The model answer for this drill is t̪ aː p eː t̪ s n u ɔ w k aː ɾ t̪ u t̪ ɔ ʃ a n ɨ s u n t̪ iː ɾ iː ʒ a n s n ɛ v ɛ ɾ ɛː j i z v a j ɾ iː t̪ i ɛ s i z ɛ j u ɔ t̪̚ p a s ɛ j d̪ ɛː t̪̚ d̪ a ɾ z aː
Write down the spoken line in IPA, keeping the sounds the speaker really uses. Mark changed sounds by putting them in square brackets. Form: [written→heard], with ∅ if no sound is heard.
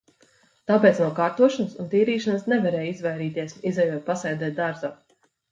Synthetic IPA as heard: t̪ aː p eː t̪ s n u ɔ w k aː ɾ t̪ u [t̪→∅] ɔ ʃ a n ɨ s u n t̪ iː ɾ iː [ʒ→ʃ] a n s n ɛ v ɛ ɾ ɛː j i z v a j ɾ iː t̪ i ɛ s i z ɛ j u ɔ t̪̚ p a s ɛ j d̪ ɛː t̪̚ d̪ a ɾ z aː